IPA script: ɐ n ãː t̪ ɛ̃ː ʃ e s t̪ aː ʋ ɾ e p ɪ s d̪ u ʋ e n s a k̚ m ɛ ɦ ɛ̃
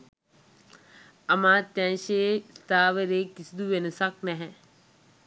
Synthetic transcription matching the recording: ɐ m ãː t̪ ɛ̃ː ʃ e s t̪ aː ʋ ɾ e k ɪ s d̪ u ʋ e n s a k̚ n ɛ ɦ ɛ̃